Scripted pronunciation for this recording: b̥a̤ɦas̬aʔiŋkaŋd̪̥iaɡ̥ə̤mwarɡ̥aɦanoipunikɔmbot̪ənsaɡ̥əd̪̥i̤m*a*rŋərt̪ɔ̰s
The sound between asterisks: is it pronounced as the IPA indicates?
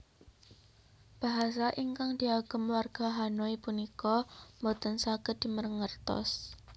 no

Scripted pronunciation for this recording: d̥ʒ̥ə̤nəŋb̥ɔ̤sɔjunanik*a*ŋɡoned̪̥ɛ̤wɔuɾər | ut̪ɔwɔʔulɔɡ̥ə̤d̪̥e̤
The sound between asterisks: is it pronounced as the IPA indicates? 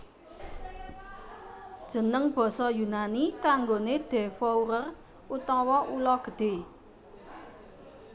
yes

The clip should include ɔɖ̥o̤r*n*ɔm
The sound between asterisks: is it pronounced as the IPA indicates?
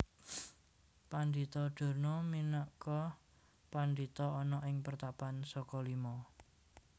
yes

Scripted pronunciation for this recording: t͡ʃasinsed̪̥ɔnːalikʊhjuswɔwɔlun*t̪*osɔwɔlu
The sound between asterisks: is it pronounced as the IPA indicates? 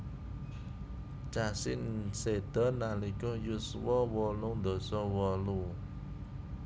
no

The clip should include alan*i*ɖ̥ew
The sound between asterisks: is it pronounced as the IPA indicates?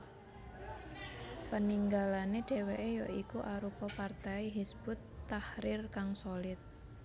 no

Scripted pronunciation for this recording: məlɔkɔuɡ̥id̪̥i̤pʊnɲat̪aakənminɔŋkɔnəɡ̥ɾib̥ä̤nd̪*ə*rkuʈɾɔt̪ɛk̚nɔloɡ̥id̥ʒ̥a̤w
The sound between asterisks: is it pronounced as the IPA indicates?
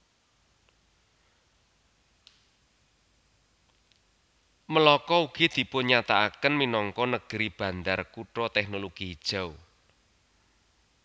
no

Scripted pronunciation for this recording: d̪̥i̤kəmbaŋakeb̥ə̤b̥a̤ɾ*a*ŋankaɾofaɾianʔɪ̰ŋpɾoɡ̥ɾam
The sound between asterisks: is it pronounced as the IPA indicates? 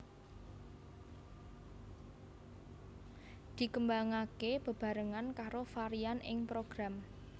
no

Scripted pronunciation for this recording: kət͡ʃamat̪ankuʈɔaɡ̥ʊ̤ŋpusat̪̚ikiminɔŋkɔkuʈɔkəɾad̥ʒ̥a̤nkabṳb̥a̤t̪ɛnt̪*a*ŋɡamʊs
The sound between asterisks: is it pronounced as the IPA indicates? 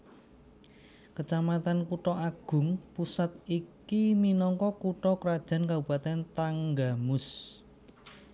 yes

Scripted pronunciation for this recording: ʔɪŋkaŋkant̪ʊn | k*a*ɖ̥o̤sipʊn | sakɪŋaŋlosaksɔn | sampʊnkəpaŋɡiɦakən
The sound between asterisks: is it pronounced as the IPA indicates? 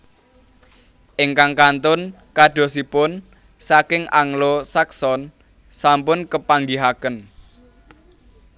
yes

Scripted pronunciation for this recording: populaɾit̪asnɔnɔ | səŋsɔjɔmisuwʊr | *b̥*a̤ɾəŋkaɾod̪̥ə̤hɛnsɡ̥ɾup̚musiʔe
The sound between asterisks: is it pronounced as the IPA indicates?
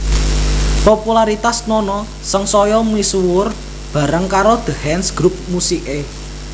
yes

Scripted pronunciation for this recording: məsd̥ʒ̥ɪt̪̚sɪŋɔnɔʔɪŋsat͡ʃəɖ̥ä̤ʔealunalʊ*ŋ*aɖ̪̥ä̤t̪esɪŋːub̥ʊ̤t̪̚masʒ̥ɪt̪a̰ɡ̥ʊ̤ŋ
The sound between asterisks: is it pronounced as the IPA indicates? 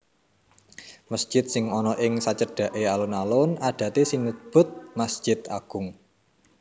no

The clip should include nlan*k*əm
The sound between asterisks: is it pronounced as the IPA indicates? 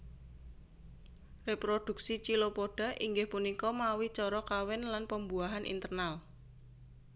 no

